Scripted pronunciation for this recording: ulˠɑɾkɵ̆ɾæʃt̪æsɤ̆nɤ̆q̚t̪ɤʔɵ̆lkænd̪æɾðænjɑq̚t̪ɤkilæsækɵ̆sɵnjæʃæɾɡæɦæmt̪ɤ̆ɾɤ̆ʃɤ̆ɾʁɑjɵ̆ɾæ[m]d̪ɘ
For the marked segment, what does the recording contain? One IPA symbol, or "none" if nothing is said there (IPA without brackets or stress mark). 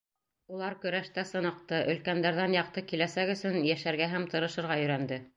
n